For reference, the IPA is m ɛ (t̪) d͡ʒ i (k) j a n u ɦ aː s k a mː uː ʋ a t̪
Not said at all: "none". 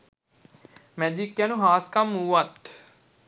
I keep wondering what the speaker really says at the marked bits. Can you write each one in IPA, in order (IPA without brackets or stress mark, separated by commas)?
none, k